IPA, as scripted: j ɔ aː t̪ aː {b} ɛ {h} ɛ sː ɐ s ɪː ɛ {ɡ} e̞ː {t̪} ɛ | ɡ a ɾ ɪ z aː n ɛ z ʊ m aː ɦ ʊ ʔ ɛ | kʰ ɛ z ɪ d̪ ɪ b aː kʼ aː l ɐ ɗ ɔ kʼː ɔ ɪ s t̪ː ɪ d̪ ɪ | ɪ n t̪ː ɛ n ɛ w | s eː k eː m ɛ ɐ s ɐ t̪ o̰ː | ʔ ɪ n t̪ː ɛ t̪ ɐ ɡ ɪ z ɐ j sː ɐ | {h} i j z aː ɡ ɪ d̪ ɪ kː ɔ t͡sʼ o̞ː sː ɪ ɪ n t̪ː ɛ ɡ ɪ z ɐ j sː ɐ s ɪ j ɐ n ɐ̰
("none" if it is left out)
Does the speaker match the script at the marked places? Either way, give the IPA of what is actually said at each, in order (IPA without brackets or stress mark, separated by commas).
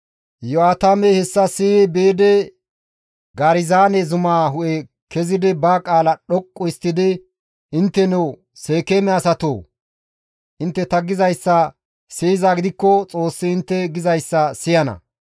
m, h, b, d̪, s